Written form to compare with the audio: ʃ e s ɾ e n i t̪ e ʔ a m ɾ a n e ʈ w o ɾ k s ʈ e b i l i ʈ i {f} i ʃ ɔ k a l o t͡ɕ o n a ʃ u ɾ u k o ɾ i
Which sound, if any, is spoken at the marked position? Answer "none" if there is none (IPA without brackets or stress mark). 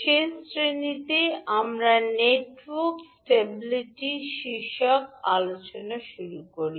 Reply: ʃ